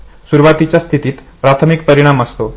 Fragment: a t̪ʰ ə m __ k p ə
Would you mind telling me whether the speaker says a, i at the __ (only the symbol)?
i